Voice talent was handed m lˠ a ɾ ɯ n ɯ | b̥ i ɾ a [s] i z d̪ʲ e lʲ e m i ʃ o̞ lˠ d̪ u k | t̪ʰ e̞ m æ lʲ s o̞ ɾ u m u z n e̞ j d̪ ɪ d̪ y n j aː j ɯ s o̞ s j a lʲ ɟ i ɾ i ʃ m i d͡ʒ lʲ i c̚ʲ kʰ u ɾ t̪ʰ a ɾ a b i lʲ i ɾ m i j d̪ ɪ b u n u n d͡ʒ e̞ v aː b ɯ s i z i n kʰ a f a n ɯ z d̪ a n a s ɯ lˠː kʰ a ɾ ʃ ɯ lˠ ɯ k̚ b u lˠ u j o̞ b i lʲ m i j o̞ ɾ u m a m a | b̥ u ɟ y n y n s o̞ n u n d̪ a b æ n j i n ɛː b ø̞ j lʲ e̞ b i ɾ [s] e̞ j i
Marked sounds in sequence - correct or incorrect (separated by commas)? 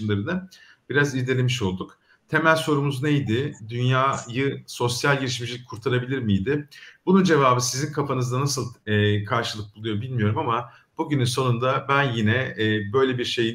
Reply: incorrect, incorrect